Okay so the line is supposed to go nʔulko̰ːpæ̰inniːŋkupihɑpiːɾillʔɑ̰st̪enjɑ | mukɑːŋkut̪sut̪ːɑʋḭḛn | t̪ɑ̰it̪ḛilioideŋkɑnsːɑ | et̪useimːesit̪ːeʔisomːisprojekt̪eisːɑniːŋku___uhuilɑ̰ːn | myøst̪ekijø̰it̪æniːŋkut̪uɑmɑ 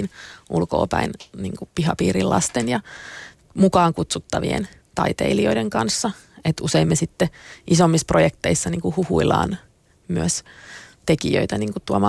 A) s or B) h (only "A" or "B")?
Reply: B